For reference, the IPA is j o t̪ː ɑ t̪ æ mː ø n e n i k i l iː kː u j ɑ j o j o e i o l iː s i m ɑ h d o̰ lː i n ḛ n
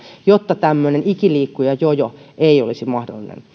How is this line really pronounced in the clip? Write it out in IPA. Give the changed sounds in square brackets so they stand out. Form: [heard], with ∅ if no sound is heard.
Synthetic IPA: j o t̪ː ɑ t̪ æ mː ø n e n i k i l iː kː u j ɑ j o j o e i o l [i] s i m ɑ h d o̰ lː i n ḛ n